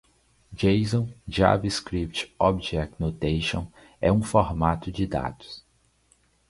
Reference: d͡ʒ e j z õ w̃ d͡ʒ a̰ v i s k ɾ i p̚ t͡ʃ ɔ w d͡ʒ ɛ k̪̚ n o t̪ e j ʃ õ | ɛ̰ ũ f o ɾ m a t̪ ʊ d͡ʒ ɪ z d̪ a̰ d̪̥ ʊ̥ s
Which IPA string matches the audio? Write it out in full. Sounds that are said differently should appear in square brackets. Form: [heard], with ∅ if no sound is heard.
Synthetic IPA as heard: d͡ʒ e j z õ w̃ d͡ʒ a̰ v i s k ɾ i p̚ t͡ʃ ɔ [b] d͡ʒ ɛ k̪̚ n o t̪ e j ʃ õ | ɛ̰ ũ f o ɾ m a t̪ ʊ d͡ʒ ɪ [∅] d̪ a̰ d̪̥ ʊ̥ s